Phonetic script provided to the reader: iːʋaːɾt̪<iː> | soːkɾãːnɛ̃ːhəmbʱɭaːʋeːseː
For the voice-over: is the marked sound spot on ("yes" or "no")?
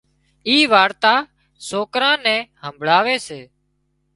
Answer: no